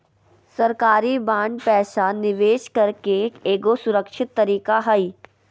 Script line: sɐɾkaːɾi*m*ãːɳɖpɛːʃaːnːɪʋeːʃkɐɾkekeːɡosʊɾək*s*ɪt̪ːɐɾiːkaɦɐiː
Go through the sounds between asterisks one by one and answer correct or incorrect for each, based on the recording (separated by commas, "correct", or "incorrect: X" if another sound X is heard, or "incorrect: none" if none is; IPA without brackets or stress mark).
incorrect: b, incorrect: ʃ